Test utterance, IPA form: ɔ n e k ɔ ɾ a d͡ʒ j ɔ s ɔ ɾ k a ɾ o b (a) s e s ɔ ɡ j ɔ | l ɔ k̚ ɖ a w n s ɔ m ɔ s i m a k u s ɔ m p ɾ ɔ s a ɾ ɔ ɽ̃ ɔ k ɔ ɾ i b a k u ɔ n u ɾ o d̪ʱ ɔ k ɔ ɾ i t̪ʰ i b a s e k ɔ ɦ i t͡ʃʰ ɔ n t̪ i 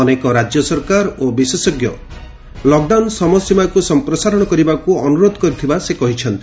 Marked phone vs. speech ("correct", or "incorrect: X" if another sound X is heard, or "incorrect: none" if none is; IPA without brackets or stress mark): incorrect: i